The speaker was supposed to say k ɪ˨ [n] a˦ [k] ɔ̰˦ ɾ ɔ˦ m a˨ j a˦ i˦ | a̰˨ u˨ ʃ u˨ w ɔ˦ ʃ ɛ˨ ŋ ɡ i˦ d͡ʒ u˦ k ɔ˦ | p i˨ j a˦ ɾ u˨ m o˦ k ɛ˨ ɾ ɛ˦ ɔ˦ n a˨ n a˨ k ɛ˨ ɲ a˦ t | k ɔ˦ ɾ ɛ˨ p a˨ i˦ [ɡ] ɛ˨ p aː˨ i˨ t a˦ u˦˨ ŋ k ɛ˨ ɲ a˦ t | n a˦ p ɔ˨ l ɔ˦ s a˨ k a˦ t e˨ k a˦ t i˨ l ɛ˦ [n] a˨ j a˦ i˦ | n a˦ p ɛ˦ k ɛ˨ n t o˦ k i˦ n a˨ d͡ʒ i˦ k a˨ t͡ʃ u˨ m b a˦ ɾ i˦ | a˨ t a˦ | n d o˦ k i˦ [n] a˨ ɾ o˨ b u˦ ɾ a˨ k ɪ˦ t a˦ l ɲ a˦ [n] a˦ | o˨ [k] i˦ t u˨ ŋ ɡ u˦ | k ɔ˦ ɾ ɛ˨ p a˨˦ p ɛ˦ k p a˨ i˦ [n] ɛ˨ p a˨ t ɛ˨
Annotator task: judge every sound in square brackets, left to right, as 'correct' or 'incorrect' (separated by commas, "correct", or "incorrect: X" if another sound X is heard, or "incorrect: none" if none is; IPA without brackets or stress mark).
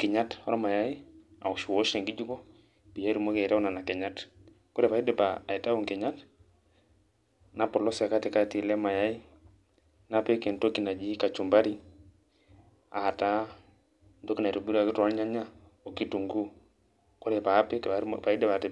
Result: incorrect: ɲ, incorrect: t, incorrect: d, incorrect: m, correct, incorrect: ɲ, correct, incorrect: d